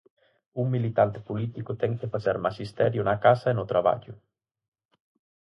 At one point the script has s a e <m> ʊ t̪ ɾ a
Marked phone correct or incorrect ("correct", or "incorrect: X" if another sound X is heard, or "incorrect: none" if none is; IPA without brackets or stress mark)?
incorrect: n